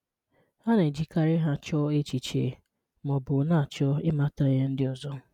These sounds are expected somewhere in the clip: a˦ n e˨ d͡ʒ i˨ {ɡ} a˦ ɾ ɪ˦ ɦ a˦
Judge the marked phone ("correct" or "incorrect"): incorrect